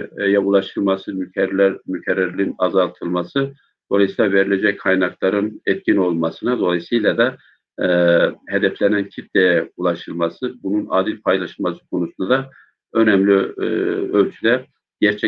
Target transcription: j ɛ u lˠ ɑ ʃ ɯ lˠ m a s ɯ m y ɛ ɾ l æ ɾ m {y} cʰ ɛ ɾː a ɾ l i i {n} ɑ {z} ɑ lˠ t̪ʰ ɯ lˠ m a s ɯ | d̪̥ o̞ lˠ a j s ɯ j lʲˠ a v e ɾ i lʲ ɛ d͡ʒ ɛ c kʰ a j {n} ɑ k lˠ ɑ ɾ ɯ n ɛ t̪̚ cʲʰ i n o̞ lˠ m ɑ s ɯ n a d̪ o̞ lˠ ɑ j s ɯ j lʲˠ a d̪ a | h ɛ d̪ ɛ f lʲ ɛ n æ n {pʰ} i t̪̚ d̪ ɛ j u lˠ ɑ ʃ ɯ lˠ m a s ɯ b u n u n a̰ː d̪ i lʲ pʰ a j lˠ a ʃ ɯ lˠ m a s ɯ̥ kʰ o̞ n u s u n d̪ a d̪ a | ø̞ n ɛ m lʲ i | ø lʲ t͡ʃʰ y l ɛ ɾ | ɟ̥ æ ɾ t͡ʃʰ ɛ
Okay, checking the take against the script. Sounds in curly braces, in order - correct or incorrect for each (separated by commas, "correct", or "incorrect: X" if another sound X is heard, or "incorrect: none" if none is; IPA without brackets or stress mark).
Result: correct, correct, correct, correct, incorrect: cʰ